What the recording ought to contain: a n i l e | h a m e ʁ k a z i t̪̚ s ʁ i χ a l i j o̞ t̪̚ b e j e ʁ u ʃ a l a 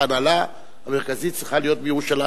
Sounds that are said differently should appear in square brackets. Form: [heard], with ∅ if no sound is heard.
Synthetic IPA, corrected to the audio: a n [a] l [a] | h a m e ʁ k a z i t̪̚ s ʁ i χ a l i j o̞ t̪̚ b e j e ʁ u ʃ a l a